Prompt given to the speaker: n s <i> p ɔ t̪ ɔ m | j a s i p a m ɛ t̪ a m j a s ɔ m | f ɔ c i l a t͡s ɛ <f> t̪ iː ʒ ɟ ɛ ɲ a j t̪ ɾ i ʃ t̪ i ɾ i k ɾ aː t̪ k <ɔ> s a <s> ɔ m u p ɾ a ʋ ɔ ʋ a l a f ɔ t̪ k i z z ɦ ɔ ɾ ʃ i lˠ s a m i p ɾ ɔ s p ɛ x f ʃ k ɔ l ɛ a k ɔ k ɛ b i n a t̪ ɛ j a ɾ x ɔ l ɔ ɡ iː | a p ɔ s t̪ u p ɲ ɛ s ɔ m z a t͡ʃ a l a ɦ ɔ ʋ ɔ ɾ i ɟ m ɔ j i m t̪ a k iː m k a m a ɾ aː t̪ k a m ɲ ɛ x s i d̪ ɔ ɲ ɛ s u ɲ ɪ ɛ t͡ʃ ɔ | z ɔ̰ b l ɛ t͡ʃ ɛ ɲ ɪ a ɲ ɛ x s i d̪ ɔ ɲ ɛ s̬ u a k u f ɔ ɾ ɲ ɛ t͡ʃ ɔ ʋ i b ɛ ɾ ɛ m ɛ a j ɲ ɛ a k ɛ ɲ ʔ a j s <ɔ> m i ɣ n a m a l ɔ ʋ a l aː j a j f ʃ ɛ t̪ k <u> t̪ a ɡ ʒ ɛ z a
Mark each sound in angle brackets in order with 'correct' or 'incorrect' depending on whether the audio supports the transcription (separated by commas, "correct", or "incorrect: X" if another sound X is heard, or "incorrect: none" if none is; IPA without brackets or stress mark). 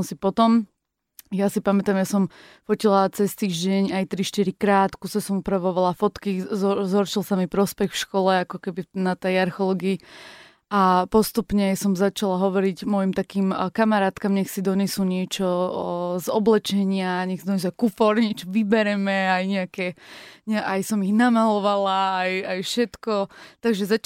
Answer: correct, incorrect: s, incorrect: u, correct, correct, incorrect: ɔ